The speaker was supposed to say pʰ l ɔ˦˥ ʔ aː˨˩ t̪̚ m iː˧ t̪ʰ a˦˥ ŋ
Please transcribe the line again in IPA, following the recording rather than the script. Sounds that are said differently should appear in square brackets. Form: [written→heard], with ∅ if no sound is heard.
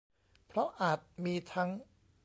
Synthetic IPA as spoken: pʰ [l→ɾ] ɔ˦˥ ʔ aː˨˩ t̪̚ m iː˧ t̪ʰ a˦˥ ŋ

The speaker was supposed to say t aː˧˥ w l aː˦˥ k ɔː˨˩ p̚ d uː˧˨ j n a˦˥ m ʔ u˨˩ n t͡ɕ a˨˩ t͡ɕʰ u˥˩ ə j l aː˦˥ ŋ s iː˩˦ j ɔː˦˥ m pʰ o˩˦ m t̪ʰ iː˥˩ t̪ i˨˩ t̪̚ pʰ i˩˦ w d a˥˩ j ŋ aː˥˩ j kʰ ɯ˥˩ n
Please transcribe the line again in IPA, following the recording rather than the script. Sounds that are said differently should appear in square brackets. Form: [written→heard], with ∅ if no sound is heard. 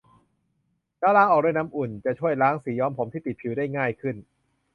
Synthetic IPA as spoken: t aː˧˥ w l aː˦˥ [k→ʔ] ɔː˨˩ [p̚→k̚] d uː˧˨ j n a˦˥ m ʔ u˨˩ n t͡ɕ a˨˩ t͡ɕʰ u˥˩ ə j l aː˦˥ ŋ s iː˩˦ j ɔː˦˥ m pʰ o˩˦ m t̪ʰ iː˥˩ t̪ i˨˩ t̪̚ pʰ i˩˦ w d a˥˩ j ŋ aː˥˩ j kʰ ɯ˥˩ n

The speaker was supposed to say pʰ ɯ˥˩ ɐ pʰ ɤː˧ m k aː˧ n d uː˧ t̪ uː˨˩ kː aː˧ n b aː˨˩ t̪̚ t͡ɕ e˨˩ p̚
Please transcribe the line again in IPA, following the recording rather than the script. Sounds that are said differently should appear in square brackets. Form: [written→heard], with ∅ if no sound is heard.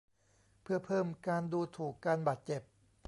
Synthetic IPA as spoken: pʰ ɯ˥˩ ɐ pʰ [ɤː˧→ɤː˥˩] m k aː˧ n d uː˧ [t̪→t̪ʰ] uː˨˩ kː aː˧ n b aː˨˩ t̪̚ t͡ɕ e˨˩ p̚

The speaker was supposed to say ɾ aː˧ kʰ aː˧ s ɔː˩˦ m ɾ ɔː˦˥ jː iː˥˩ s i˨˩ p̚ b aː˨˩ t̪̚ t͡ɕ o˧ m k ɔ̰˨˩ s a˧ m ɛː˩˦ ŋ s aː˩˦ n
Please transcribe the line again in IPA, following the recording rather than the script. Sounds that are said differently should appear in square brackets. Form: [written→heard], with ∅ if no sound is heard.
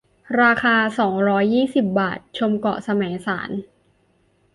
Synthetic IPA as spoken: ɾ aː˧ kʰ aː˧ s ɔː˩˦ [m→ŋ] ɾ ɔː˦˥ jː iː˥˩ s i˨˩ p̚ b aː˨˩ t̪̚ [t͡ɕ→t͡ɕʰ] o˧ m k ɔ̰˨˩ s a˧ m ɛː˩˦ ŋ s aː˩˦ n

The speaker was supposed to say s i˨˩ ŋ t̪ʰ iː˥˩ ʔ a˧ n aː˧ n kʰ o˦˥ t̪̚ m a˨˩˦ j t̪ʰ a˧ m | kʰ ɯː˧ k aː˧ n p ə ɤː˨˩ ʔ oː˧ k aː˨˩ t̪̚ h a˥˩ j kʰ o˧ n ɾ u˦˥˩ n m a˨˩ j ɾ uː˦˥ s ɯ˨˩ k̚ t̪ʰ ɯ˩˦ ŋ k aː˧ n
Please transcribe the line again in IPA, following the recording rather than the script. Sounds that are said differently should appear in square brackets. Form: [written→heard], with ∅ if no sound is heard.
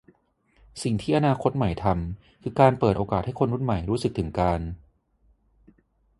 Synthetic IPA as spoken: s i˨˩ ŋ t̪ʰ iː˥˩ ʔ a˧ n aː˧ [n→∅] kʰ o˦˥ t̪̚ m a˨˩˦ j t̪ʰ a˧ m | kʰ ɯː˧ k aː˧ n p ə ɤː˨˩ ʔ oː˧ k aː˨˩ t̪̚ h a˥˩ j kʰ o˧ n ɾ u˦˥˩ n m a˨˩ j ɾ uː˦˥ s ɯ˨˩ k̚ t̪ʰ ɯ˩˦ ŋ k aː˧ n

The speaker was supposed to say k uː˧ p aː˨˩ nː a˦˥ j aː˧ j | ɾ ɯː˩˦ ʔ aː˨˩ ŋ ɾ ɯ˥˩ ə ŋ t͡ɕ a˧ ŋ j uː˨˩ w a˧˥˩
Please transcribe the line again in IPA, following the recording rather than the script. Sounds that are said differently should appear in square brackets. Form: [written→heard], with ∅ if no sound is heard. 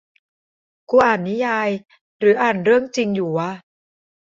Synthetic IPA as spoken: k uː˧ [p→ʔ] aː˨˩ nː [a˦˥→i˦˥] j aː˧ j | ɾ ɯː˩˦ ʔ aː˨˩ [ŋ→n] ɾ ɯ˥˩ ə ŋ t͡ɕ [a˧→i˧] ŋ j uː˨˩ w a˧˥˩

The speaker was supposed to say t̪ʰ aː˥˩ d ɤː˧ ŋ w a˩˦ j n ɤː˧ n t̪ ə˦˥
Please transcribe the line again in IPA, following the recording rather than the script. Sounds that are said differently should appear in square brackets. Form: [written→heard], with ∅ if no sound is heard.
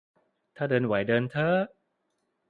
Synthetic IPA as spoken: t̪ʰ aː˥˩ d ɤː˧ [ŋ→n] w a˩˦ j [n→d] ɤː˧ n [t̪→t̪ʰ] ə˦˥

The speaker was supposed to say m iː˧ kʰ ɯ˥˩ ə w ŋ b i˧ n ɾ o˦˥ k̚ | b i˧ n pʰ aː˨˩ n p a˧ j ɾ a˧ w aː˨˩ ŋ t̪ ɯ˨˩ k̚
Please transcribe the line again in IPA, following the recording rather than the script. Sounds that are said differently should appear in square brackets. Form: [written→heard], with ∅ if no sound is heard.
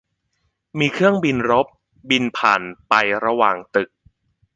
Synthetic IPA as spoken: m iː˧ kʰ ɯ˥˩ ə [w→∅] ŋ b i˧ n ɾ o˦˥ [k̚→p̚] | b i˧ n pʰ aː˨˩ n p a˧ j ɾ a˧ w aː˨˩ ŋ t̪ ɯ˨˩ k̚

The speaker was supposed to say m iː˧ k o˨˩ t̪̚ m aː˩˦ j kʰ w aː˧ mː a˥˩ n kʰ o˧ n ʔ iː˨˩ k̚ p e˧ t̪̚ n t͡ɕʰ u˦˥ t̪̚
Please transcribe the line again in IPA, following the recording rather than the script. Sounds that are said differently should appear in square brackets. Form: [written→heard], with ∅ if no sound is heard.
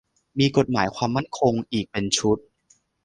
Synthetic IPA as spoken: m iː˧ k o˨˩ t̪̚ m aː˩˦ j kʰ w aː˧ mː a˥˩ n kʰ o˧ [n→ŋ] ʔ iː˨˩ k̚ p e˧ [t̪̚→∅] n t͡ɕʰ u˦˥ t̪̚

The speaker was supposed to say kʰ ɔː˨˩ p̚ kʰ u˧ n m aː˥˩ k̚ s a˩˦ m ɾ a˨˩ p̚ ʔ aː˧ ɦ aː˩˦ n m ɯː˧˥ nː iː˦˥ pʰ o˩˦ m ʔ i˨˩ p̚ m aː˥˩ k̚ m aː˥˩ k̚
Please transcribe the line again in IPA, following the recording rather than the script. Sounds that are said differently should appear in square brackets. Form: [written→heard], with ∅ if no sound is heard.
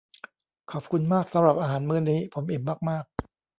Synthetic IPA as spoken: kʰ ɔː˨˩ p̚ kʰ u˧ n m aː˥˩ k̚ s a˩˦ m ɾ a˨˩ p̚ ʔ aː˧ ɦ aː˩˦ n m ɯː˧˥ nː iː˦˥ pʰ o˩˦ m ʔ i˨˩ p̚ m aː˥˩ k̚ m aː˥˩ k̚

